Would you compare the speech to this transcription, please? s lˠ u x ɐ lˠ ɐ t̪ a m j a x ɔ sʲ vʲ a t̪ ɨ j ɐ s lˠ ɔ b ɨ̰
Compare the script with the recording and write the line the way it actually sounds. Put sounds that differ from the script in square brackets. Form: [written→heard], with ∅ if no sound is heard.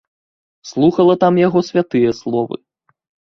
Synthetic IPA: s lˠ u x ɐ lˠ ɐ t̪ a m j a [x→ɣ] ɔ sʲ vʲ a t̪ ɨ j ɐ s lˠ ɔ [b→v] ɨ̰